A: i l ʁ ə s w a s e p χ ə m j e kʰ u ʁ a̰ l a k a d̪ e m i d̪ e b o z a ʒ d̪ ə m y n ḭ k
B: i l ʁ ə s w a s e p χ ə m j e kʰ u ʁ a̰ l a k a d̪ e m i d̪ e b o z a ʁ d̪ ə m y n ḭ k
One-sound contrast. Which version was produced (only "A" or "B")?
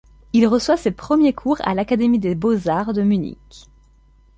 B